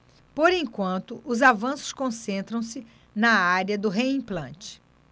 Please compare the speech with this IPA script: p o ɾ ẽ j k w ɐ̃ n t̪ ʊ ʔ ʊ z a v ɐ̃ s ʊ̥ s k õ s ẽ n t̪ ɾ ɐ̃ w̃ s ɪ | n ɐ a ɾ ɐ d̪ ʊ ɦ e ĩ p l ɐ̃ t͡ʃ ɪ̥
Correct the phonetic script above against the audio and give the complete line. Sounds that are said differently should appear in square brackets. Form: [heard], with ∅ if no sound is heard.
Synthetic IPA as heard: p o ɾ ẽ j k w ɐ̃ n t̪ ʊ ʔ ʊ z a v ɐ̃ s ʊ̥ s k õ s ẽ n t̪ ɾ ɐ̃ w̃ s ɪ | n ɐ a ɾ ɐ d̪ ʊ ɦ e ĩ p l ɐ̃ t͡ʃ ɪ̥